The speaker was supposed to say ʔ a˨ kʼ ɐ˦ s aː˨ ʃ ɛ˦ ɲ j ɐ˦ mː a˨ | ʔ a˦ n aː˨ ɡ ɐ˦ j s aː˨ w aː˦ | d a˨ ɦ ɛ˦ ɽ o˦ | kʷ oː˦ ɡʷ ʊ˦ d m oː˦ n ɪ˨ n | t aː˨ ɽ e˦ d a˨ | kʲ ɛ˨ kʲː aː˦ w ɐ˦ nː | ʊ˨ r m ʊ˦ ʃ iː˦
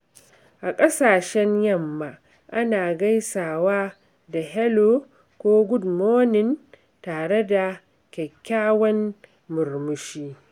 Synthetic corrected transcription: ʔ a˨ kʼ ɐ˦ s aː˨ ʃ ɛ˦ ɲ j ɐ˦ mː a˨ | ʔ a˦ n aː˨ ɡ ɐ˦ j s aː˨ w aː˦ | d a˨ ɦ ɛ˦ l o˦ | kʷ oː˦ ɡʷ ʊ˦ d m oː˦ n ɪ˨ n | t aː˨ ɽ e˦ d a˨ | kʲ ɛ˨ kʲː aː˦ w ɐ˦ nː | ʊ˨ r m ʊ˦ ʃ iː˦